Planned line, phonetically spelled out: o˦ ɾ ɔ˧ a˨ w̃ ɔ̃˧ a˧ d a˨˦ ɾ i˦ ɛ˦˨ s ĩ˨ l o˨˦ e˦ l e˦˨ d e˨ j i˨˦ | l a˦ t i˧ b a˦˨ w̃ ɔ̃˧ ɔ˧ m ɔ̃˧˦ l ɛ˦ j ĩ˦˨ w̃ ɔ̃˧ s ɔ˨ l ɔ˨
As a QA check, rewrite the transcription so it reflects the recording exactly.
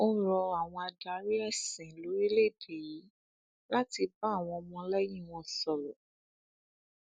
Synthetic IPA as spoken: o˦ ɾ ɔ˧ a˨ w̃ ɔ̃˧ a˧ d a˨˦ ɾ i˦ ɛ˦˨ s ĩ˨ l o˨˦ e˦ l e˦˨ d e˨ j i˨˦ | l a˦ t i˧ b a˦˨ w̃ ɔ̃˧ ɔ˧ m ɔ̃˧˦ l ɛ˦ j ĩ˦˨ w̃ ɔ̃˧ s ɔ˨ l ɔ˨